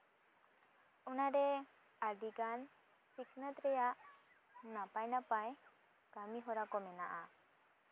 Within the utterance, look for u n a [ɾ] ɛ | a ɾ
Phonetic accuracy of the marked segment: correct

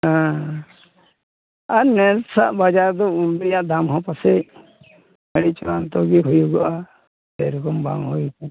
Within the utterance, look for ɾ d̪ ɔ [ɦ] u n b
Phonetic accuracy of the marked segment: incorrect: none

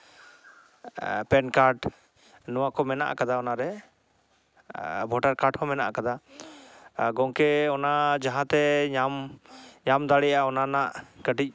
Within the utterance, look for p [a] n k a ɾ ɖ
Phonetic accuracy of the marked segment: incorrect: ɛ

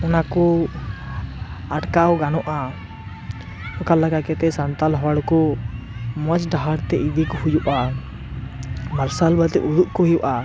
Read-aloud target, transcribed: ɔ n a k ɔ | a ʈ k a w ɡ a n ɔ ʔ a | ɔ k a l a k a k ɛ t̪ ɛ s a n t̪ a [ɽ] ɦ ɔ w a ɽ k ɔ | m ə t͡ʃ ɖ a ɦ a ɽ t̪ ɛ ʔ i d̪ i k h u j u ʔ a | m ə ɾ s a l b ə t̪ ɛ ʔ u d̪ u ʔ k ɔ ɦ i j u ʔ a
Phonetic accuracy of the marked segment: incorrect: l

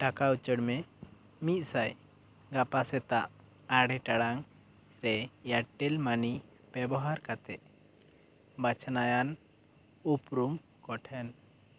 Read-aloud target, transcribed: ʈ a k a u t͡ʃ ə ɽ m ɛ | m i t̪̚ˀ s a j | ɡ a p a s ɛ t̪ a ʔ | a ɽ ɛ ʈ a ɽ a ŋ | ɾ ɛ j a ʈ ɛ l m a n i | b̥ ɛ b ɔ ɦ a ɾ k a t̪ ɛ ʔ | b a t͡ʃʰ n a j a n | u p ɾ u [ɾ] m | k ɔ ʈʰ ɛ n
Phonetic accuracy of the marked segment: incorrect: none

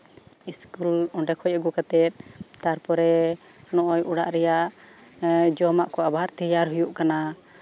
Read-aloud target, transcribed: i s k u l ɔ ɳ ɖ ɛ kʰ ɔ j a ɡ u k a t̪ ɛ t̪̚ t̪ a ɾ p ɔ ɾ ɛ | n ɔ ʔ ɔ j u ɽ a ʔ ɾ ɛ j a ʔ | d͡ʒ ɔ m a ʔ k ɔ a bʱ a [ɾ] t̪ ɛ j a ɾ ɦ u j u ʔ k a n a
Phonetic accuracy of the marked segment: correct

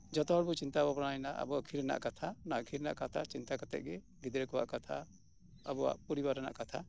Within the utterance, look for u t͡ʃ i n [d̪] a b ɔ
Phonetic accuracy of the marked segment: incorrect: t̪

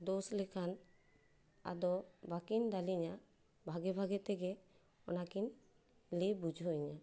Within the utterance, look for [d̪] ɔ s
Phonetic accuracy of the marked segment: correct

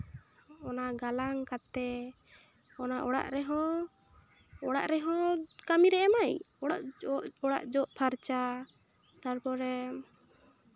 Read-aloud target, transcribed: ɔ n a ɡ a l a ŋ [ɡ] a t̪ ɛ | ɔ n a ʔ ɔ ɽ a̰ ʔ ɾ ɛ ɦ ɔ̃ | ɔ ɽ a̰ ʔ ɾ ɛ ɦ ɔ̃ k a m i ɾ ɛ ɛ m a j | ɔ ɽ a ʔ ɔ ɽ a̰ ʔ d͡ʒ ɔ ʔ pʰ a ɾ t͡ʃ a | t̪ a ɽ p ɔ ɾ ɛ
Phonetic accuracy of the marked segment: incorrect: k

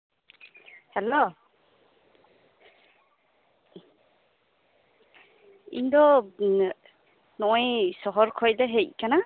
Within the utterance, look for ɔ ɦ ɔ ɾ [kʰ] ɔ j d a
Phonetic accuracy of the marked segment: correct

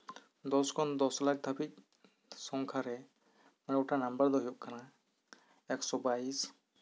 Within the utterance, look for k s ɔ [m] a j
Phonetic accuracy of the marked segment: incorrect: b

